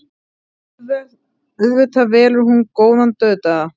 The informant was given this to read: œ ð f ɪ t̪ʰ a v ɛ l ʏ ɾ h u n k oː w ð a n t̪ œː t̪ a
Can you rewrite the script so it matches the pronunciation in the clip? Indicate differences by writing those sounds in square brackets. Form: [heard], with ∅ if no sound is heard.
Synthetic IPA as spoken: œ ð [v] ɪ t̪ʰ a v [ɛː] l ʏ ɾ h u n k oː w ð a n t̪ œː t̪ a